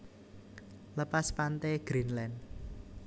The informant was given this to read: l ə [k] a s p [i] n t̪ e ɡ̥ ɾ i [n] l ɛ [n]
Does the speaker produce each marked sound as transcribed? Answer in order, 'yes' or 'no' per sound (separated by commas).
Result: no, no, yes, yes